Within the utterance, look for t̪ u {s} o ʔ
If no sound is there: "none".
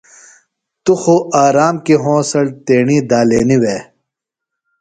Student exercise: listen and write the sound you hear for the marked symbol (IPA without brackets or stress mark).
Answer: x